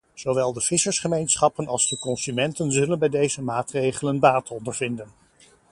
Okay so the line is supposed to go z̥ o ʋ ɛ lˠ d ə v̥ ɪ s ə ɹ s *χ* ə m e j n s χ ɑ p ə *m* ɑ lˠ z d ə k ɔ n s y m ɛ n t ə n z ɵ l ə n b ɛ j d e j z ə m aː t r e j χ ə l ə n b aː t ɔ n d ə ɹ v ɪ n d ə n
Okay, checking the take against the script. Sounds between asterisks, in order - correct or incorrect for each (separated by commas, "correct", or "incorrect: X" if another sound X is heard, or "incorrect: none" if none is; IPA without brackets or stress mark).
correct, incorrect: n